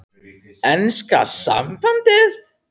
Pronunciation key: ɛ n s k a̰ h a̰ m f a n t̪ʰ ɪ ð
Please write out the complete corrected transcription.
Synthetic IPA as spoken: ɛ n s k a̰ s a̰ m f a n t̪ ɪ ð

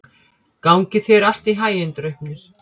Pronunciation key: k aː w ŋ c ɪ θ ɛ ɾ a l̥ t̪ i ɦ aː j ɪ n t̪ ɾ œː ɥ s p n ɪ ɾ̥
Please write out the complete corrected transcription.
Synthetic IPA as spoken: k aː w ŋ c ɪ θ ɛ ɾ a l̥ t̪ i ɦ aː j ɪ n t̪ ɾ œ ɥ h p n ɪ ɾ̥

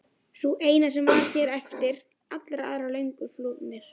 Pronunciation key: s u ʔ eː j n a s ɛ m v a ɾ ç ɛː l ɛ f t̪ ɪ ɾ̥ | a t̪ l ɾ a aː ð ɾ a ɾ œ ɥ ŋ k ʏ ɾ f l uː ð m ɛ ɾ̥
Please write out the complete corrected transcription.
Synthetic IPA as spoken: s u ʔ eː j n a s ɛ m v a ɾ ç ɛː ɾ ɛ f t̪ ɪ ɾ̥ | a t̪ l ɾ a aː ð ɾ a l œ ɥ ŋ k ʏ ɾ f l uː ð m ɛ ɾ̥

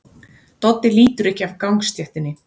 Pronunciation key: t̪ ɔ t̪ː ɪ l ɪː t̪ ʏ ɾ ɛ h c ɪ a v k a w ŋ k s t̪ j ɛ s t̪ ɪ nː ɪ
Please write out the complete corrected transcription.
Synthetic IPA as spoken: t̪ ɔ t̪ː ɪ l iː t̪ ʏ ɾ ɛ h c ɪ a v k a w ŋ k s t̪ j ɛ h t̪ ɪ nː ɪ

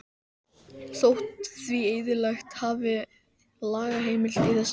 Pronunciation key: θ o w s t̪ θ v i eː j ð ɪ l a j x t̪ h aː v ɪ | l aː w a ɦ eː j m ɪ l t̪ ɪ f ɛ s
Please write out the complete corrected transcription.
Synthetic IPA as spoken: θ o w h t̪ θ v i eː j ð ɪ l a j x t̪ h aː v ɪ | l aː ɣ a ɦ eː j m ɪ l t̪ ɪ θ ɛ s

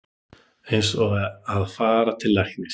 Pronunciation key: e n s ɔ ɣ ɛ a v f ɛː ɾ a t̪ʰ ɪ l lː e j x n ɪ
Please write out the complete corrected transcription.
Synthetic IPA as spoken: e n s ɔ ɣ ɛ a ð f aː ɾ a t̪ʰ ɪ l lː a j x n ɪ

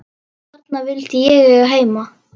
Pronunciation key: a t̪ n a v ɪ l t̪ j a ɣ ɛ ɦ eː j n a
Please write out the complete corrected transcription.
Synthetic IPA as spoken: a t̪ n a v ɪ l t̪ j ɛ ɣ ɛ ɦ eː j m a

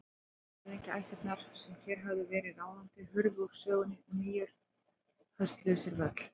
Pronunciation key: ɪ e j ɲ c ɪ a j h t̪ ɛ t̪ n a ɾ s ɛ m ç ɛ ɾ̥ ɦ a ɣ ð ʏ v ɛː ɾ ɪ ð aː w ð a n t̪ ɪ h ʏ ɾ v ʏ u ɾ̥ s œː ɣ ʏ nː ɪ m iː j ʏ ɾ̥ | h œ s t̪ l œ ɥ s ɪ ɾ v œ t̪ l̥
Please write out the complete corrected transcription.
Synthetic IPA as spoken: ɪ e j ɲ c ɪ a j h t̪ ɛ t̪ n a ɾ s ɛ m ç ɛ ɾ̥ ɦ a v ð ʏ v ɛː ɾ ɪ ð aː w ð a n t̪ ɪ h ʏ ɾ v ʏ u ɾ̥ s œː ɣ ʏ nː ɪ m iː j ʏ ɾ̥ | h œ s t̪ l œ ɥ s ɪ ɾ v œ t̪ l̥

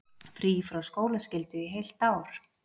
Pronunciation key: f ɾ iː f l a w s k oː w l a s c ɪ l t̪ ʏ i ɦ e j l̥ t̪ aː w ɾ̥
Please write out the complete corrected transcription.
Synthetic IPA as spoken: f ɾ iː f ɾ a w s k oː w l a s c ɪ l t̪ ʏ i ɦ e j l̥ t̪ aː w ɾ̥

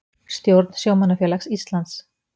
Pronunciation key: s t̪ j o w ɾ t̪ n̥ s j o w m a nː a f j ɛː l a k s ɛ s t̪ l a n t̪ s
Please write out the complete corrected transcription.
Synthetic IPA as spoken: s t̪ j o w ɾ t̪ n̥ s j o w m a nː a f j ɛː l a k s i s t̪ l a n t̪ s

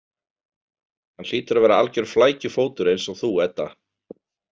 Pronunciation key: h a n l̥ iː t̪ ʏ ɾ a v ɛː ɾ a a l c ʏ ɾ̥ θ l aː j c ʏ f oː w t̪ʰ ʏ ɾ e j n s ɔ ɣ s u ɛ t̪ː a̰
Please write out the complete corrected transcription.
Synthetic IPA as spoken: h a n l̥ iː t̪ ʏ ɾ a v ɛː ɾ a a l c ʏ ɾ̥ f l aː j c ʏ f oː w t̪ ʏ ɾ e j n s ɔ ɣ θ u ɛ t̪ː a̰

